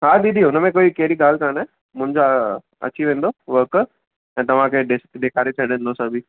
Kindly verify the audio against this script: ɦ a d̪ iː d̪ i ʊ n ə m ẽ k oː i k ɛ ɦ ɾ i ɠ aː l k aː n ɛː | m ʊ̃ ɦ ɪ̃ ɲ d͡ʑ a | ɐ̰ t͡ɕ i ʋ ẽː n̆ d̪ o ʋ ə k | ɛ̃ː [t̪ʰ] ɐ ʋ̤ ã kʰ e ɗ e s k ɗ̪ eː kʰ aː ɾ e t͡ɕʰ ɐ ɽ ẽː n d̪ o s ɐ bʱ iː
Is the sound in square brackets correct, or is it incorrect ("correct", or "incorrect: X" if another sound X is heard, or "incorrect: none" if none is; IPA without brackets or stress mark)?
incorrect: t̪